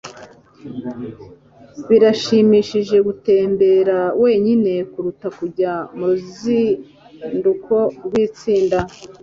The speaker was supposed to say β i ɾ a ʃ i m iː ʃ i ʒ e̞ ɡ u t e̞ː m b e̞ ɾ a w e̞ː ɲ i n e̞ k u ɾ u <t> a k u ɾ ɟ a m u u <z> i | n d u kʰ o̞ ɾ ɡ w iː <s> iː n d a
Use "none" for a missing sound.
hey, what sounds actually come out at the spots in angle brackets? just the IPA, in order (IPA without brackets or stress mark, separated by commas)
t, z, t͡s